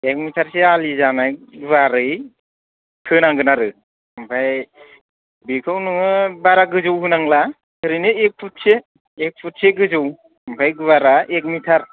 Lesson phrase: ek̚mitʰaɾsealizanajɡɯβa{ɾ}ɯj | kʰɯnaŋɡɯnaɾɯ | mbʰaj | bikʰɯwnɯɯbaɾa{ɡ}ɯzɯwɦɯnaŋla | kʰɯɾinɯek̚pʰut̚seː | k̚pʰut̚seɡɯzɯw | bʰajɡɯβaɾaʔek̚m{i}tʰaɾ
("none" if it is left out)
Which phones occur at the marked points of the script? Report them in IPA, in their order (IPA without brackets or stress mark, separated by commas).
ɾ, ɡ, i